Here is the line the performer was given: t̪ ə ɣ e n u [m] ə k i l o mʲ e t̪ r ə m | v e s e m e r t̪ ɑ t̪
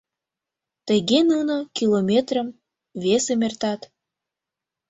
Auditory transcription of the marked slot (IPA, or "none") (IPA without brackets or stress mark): n